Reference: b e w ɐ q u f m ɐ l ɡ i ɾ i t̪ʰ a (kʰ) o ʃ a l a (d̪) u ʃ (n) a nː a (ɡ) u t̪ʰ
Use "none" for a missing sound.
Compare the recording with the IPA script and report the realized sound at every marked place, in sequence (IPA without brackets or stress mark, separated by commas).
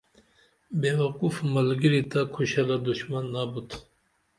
kʰ, d̪, m, b